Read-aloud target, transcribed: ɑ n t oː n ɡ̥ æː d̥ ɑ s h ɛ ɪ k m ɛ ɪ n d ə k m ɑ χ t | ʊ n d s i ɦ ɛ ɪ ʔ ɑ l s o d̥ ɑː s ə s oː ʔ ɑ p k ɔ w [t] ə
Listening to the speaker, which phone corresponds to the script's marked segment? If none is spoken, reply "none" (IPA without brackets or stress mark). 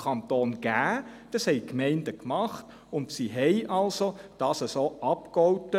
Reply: t